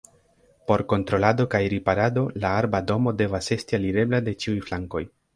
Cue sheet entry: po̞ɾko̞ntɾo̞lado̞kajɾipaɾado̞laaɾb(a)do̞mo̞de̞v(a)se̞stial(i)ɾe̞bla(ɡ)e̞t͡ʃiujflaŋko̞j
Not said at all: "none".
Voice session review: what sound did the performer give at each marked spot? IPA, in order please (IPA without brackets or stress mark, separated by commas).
a, a, i, d